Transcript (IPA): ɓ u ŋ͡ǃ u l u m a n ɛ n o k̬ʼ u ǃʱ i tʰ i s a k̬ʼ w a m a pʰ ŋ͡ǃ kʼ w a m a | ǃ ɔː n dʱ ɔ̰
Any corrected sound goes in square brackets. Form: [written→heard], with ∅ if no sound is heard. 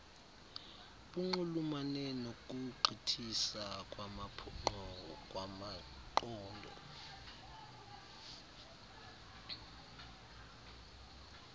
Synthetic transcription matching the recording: ɓ u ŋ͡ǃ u l u m a n ɛ n o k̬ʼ u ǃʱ i tʰ i s a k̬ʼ w a m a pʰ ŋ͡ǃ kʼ w a m a | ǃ ɔː n dʱ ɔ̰